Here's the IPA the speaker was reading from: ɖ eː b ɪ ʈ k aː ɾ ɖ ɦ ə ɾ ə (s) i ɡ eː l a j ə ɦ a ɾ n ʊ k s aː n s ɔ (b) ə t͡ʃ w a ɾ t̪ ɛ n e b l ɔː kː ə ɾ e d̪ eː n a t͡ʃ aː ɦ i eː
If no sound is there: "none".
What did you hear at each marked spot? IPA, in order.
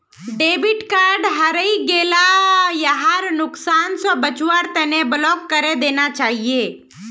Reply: none, b

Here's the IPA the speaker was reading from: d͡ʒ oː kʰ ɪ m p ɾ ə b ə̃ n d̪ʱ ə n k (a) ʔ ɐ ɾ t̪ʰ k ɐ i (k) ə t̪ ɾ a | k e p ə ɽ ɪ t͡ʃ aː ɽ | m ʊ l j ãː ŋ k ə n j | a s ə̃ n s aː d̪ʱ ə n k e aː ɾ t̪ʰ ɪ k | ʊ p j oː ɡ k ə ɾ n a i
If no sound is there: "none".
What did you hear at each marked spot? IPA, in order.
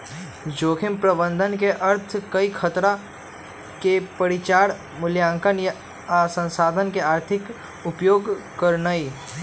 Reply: e, kʰ

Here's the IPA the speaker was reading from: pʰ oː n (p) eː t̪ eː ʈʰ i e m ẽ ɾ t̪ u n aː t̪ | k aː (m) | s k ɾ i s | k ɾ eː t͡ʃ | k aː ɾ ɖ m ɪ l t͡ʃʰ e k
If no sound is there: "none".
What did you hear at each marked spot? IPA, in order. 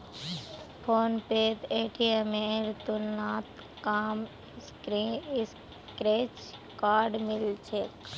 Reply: p, m

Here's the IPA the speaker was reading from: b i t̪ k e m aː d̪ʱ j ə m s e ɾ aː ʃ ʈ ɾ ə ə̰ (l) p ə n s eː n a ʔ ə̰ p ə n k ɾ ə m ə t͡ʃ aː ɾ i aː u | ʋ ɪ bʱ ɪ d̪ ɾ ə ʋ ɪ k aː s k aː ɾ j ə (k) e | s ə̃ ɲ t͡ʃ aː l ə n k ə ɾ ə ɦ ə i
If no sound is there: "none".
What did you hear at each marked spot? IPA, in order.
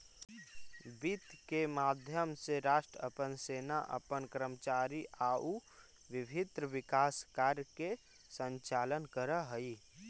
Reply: none, k

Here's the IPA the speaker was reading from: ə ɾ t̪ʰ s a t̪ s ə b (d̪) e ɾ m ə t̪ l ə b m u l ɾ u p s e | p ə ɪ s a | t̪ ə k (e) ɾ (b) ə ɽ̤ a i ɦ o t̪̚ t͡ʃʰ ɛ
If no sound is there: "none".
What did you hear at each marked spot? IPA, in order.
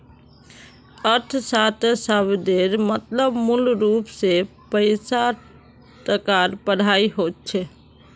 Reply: d̪, a, p

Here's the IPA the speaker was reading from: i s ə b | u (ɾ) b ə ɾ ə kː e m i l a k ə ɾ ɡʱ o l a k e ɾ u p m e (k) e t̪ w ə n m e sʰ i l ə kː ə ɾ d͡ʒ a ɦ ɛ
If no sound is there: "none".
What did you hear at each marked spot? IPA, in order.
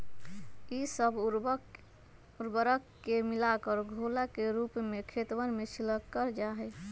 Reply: ɾ, kʰ

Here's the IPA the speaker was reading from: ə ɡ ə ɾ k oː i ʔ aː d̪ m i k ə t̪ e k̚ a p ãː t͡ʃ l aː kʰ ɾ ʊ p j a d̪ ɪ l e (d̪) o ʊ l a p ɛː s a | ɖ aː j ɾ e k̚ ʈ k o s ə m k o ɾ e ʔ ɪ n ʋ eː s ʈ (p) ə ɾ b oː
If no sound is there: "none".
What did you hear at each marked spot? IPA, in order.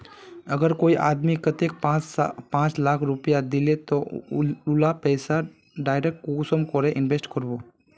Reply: t̪, k

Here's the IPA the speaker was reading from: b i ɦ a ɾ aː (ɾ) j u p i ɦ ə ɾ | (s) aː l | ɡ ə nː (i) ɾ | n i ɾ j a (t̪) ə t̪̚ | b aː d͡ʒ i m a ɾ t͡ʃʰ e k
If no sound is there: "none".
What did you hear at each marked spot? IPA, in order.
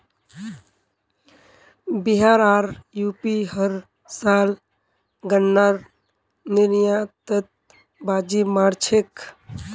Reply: ɾ, s, a, t̪

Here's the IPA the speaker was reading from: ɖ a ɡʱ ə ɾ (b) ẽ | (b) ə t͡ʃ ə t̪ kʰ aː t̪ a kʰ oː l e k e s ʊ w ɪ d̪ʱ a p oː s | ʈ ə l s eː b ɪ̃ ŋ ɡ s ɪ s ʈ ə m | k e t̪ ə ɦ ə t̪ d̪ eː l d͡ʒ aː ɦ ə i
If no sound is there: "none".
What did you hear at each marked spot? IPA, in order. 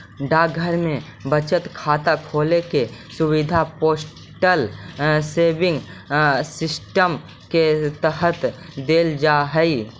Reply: m, b

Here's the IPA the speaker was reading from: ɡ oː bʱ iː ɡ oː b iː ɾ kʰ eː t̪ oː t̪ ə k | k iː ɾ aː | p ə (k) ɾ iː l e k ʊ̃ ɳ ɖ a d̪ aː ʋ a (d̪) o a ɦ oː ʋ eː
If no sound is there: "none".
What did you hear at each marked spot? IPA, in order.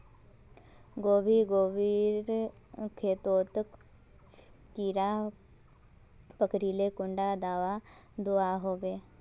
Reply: k, d̪

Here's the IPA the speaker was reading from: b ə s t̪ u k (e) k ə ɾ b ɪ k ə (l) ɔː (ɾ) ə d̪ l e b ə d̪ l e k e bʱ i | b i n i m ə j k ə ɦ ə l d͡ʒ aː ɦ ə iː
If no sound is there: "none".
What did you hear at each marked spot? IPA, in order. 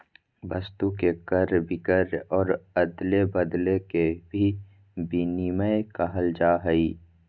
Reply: e, ɾ, ɾ

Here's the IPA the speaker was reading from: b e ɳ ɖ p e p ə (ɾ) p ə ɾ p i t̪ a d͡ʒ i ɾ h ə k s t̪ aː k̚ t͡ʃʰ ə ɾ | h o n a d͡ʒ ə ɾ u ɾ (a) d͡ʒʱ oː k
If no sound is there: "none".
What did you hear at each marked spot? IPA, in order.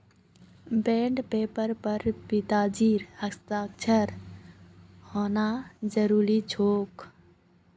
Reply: ɾ, i

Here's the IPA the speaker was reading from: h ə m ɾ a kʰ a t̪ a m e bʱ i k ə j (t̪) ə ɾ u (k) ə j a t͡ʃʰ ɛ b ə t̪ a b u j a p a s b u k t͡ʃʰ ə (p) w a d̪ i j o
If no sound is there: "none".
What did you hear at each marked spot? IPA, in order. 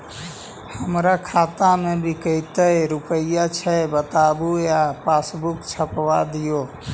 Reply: t̪, p, p

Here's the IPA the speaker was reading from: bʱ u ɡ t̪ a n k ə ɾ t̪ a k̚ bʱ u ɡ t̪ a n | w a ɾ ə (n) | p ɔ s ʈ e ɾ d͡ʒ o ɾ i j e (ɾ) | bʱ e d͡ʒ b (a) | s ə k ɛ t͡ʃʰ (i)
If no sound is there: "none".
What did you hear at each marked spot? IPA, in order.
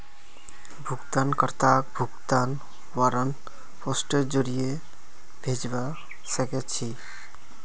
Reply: n, none, a, i

